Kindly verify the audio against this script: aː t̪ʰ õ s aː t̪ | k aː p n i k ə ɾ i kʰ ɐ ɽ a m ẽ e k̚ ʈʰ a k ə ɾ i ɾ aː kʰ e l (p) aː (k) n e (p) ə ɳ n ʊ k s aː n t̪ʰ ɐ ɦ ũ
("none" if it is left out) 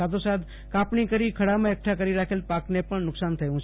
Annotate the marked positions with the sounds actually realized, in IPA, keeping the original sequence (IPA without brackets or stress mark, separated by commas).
p, k, p